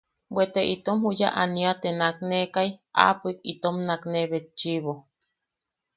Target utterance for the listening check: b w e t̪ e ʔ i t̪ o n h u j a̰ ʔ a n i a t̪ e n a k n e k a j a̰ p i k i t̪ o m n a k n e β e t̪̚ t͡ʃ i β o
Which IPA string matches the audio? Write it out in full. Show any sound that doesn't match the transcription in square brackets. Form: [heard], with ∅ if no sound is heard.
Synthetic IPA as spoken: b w e t̪ e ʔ i t̪ o [m] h u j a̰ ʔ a n i a t̪ e n a k n e k a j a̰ p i k i t̪ o m n a k n e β e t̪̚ t͡ʃ i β o